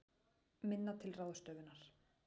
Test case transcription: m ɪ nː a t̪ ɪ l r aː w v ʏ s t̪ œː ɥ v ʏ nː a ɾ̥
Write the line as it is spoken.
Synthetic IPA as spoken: m ɪ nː a t̪ʰ ɪ l r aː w ð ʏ s t̪ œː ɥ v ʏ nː a ɾ̥